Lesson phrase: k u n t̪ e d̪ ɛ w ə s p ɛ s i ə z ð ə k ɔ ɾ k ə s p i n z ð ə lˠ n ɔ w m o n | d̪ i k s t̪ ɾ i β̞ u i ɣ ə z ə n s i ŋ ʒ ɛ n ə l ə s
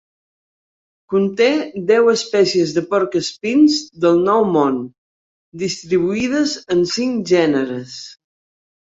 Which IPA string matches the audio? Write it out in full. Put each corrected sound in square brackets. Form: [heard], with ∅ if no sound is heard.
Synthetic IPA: k u n t̪ e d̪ ɛ w ə s p ɛ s i ə z ð ə [p] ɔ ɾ k ə s p i n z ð ə lˠ n ɔ w m o n | d̪ i [∅] s t̪ ɾ i β̞ u i [ð] ə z ə n s i ŋ ʒ ɛ n ə [ɾ] ə s